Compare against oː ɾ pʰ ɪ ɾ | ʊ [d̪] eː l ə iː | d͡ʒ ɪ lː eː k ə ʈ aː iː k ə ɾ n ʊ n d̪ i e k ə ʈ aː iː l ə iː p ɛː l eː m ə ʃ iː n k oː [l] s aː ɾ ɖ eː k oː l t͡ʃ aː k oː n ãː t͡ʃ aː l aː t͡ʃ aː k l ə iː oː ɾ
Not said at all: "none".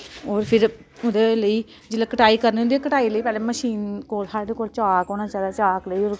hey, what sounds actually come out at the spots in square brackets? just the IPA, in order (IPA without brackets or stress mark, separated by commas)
d̪, l